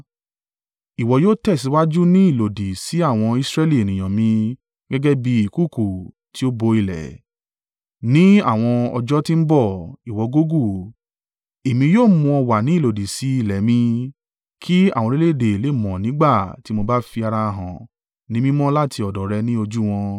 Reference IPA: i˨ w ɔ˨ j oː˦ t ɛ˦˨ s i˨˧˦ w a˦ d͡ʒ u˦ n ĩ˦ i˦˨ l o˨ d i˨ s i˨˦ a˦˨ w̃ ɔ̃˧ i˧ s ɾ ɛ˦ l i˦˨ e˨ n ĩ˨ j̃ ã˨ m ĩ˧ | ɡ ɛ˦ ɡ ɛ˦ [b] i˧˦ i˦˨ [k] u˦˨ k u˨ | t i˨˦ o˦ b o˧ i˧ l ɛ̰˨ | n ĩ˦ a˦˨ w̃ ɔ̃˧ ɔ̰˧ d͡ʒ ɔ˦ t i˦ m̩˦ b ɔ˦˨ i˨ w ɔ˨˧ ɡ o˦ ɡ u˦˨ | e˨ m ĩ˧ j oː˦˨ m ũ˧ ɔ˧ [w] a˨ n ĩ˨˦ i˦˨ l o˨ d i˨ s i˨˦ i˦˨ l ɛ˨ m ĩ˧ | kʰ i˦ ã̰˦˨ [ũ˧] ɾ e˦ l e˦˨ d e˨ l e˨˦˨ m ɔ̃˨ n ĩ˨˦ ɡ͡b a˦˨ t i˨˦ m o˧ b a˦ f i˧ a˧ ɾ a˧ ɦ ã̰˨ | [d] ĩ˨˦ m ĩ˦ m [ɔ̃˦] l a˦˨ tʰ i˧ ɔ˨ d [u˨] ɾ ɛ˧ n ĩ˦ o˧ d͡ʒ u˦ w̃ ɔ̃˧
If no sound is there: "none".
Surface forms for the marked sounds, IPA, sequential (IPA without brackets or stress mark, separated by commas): b, k, w, ɔ̃˧, n, ɔ̃˦, ɔ˨